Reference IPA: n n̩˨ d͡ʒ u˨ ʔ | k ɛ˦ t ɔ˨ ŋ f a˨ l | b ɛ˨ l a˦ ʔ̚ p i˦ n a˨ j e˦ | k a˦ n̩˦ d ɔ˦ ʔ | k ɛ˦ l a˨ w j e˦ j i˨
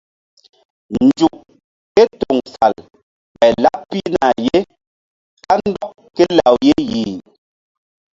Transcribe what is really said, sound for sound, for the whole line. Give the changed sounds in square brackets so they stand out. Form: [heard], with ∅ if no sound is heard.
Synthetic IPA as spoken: n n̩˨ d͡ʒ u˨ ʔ | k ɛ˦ t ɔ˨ ŋ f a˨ l | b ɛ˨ l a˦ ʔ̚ p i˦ n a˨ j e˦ | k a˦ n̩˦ d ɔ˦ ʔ | k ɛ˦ l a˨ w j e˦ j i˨

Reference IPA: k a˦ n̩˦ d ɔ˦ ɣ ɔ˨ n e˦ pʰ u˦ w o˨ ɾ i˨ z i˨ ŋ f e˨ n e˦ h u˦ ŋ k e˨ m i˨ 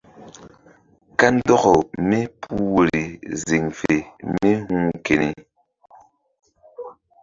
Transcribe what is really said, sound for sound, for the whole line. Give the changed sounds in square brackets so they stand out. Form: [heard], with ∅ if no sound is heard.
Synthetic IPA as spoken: k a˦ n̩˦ d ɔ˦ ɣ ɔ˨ [m] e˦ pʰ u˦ w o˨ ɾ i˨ z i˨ ŋ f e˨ [m] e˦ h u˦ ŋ k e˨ [n] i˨

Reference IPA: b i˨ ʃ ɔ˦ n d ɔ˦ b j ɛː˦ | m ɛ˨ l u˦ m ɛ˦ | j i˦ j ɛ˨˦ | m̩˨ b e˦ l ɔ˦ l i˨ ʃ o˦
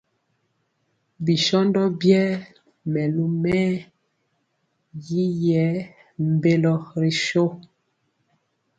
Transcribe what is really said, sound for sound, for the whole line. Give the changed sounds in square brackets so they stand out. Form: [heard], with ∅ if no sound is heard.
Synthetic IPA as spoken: b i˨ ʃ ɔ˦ n d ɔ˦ b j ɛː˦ | m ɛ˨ l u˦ m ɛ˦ | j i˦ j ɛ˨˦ | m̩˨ b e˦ l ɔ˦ [ɾ] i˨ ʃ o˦

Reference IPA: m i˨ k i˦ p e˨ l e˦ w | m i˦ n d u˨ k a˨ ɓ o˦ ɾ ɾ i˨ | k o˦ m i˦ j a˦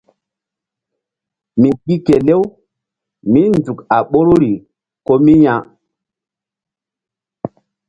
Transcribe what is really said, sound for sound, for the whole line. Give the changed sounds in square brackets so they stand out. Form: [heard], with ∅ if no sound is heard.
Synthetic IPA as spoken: m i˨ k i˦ [k] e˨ l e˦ w | m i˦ n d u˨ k a˨ ɓ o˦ ɾ ɾ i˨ | k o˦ m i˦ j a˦

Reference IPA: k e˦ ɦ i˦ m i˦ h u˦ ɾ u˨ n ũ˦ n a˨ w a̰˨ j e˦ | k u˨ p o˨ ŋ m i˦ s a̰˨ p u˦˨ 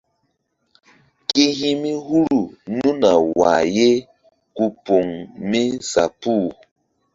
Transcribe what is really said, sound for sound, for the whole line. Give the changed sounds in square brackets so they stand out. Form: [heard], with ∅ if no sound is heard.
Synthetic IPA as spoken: k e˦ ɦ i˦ m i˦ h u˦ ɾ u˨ n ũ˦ n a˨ w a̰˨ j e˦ | k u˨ p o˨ ŋ m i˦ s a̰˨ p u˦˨

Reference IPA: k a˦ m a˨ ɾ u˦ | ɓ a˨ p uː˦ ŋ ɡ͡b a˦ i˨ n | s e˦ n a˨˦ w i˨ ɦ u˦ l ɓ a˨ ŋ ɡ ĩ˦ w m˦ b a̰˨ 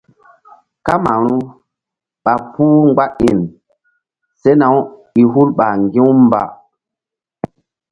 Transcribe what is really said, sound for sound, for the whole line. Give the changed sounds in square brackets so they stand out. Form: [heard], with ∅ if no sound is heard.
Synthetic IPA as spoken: k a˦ m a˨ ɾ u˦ | ɓ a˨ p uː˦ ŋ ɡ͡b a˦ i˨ n | s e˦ n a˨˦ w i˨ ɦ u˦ l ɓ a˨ ŋ ɡ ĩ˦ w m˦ b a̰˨

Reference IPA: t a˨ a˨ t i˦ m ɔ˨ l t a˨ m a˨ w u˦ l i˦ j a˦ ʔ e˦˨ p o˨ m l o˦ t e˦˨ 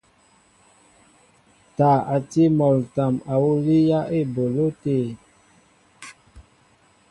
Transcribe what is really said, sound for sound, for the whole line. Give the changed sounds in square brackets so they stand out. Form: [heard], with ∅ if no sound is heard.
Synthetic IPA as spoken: t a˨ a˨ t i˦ m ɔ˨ l t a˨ m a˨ w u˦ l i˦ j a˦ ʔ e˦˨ [b] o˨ [∅] l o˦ t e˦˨

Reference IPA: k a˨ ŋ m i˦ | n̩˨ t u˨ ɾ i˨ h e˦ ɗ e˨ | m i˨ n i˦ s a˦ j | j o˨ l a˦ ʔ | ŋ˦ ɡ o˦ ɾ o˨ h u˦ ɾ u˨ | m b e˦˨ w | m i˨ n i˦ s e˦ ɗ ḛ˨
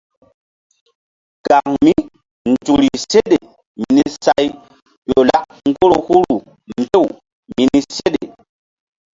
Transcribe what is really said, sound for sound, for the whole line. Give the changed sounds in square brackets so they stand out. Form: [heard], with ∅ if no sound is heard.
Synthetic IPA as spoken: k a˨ ŋ m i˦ | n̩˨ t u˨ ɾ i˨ [s] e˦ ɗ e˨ | m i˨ n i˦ s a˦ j | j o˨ l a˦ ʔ | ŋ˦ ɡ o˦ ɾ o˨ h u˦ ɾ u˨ | m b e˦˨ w | m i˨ n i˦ s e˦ ɗ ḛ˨

